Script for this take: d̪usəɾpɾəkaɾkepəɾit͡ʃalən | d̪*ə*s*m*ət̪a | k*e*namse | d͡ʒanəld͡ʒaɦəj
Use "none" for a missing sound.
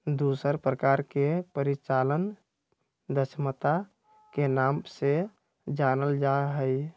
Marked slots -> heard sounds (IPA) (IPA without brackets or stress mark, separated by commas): ə, m, e